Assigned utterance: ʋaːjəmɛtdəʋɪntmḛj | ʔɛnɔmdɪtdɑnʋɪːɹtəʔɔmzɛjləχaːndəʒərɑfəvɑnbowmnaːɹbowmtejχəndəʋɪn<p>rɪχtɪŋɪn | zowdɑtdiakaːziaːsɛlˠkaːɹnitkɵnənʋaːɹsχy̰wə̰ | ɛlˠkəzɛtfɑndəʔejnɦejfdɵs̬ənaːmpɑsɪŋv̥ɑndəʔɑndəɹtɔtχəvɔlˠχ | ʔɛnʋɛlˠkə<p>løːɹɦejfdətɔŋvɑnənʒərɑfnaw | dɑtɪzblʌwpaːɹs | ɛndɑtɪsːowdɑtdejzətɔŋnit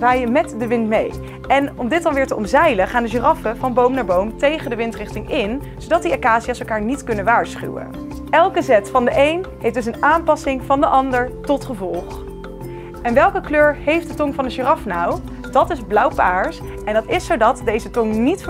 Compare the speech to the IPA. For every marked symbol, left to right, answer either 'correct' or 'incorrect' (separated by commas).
incorrect, incorrect